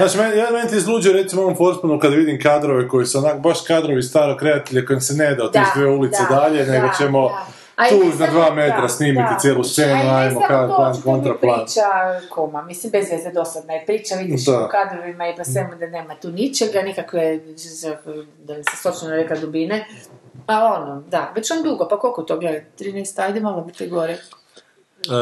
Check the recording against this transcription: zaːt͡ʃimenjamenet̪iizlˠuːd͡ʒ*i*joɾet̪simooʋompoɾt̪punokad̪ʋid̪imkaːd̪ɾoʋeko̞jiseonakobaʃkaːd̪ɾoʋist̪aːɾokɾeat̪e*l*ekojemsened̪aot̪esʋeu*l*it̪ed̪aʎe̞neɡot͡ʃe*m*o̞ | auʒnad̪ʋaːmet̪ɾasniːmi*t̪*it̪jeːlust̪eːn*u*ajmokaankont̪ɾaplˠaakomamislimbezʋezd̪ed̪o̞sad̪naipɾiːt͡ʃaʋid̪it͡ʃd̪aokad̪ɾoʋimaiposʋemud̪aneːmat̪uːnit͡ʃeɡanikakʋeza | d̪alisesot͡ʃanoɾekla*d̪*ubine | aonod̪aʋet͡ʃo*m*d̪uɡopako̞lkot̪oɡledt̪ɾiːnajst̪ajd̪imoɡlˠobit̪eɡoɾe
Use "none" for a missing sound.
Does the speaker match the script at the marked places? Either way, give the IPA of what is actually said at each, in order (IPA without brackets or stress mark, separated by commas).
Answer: i, ʎ, l, m, t̪, u, d̪, n